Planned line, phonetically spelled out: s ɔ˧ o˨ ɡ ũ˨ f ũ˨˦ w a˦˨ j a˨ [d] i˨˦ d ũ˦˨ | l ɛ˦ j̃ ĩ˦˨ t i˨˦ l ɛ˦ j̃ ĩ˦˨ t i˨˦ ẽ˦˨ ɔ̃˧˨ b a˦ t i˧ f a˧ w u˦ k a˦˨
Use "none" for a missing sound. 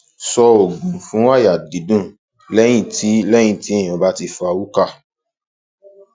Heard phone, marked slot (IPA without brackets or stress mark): d